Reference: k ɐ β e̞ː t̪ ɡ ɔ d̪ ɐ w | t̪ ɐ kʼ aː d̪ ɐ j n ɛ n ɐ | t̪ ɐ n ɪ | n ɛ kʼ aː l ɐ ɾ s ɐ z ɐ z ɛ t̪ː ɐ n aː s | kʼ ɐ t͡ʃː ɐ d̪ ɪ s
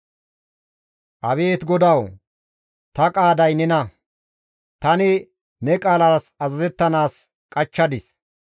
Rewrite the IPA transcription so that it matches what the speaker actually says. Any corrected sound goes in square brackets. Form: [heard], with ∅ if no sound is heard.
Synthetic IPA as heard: [ʔ] ɐ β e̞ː t̪ ɡ ɔ d̪ ɐ w | t̪ ɐ kʼ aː d̪ ɐ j n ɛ n ɐ | t̪ ɐ n ɪ | n ɛ kʼ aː l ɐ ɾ s ɐ z ɐ z ɛ t̪ː ɐ n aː s | kʼ ɐ t͡ʃː ɐ d̪ ɪ s